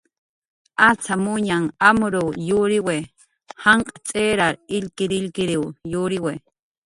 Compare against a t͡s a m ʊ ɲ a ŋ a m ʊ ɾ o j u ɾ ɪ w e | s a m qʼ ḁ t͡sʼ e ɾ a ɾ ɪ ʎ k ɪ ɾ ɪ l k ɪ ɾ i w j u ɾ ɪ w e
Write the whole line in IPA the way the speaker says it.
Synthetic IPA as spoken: a t͡s a m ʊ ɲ a ŋ a m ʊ ɾ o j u ɾ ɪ w e | h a ɴ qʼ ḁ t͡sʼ e ɾ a ɾ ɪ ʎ k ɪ ɾ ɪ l k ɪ ɾ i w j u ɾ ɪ w e